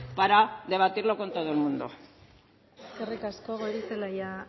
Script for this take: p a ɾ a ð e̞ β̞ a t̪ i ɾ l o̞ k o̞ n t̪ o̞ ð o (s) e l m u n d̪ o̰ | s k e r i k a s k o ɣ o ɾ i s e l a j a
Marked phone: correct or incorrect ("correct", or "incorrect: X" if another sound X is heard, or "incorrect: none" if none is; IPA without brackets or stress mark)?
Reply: incorrect: none